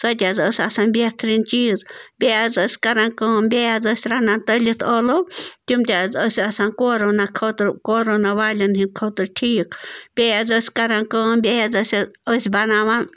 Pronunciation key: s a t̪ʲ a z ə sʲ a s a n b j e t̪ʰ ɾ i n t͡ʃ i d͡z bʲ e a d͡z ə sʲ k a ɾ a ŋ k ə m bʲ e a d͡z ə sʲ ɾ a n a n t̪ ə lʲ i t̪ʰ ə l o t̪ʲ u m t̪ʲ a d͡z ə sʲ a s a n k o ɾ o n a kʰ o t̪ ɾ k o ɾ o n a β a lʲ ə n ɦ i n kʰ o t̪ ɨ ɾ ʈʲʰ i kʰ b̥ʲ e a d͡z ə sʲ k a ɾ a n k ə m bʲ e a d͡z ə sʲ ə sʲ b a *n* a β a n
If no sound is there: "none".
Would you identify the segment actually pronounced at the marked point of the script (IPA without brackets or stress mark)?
n